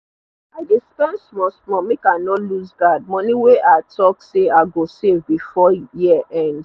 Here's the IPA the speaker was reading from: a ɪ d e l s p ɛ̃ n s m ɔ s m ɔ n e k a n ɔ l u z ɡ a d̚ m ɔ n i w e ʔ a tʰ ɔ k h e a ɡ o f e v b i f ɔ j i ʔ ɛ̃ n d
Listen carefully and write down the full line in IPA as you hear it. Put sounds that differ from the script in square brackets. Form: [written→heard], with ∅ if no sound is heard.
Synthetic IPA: a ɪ d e [l→∅] s p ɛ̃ n s m ɔ s m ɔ [n→m] e k a n ɔ l u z ɡ a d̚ m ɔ n i w e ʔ a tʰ ɔ k [h→s] e a ɡ o [f→s] e v b i f ɔ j i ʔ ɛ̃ n d